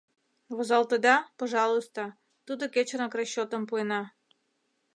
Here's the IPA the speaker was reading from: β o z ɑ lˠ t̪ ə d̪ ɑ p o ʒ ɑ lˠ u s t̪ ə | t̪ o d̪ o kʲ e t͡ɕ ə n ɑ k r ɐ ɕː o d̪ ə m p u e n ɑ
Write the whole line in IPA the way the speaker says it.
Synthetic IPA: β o z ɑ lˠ t̪ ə d̪ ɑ p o ʒ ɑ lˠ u s t̪ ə | t̪ u d̪ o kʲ e t͡ɕ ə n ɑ k r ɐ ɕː o t̪ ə m p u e n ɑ